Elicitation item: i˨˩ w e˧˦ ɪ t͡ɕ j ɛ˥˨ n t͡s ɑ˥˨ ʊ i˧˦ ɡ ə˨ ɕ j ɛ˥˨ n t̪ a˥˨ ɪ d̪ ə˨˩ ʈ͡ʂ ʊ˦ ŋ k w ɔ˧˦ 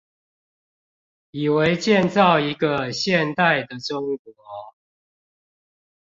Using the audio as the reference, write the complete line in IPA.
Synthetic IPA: i˨˩ w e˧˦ ɪ t͡ɕ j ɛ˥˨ n t͡s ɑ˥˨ ʊ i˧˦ ɡ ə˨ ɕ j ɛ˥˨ n t̪ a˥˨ ɪ d̪ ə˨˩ ʈ͡ʂ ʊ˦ ŋ k w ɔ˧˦